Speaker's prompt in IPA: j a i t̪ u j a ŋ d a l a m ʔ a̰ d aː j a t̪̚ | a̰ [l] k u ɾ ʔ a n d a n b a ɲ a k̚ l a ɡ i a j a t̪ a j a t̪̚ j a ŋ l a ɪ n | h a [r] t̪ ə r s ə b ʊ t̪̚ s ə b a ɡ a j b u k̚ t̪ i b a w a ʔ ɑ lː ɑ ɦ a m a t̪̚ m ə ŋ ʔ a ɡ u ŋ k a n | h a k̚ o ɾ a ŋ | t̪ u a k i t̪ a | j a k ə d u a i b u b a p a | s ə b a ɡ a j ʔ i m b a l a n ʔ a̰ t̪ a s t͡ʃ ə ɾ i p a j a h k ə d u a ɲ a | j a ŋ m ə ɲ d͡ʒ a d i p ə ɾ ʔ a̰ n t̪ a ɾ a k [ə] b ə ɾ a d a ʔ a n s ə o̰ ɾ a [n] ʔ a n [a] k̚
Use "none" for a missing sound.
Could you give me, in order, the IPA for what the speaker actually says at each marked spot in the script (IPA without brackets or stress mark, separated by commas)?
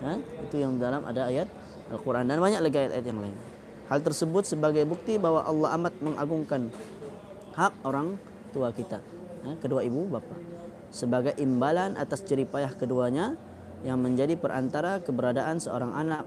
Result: l, l, ə, ŋ, a